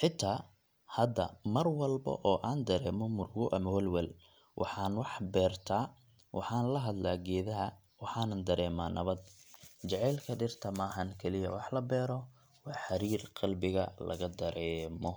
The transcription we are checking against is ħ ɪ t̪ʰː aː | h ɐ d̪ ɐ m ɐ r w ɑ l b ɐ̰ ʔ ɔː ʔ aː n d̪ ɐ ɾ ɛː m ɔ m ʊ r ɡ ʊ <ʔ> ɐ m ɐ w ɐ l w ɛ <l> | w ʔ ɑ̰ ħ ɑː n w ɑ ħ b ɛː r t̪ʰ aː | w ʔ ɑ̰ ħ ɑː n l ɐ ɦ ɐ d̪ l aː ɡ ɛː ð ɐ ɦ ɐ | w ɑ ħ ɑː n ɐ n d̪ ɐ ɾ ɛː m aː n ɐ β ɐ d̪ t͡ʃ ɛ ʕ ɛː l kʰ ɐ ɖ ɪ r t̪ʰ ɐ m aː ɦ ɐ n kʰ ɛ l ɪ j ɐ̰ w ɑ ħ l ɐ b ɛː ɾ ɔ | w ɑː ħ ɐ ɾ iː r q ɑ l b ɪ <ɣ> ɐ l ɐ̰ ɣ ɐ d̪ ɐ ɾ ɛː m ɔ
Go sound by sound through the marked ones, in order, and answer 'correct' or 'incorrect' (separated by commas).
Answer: correct, correct, correct